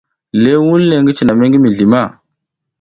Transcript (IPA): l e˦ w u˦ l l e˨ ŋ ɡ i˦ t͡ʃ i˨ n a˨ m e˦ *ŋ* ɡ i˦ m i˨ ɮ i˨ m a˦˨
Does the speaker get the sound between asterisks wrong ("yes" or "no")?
no